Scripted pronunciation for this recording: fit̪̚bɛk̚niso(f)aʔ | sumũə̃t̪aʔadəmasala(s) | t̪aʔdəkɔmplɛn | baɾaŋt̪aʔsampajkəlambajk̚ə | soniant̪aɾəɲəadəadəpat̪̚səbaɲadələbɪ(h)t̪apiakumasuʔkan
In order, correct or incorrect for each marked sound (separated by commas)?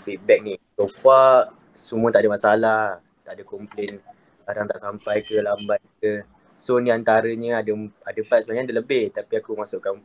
correct, incorrect, correct